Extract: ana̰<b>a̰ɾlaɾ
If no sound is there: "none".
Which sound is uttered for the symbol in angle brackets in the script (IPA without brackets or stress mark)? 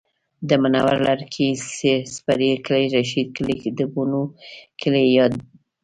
w